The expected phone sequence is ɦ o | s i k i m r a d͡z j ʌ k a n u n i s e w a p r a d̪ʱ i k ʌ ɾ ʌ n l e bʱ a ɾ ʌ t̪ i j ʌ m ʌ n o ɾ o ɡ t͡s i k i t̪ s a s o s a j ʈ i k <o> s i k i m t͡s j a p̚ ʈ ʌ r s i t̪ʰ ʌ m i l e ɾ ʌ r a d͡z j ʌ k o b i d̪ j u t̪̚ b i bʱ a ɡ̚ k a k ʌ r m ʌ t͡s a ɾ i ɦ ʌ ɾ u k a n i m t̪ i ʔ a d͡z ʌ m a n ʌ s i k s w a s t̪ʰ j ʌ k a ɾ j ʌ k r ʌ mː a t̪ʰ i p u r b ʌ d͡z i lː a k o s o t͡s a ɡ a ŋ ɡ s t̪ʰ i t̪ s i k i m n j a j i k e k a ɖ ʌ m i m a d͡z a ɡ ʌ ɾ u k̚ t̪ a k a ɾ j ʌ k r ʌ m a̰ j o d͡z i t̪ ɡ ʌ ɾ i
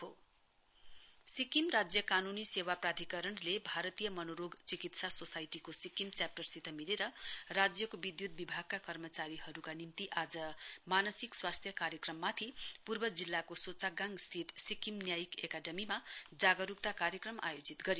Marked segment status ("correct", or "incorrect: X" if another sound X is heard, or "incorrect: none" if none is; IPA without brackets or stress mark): correct